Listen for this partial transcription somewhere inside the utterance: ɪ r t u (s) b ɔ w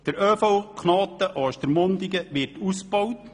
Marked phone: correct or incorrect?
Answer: correct